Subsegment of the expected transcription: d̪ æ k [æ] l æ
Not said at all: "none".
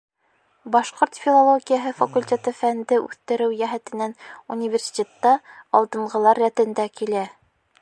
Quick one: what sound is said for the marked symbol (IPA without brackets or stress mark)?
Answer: i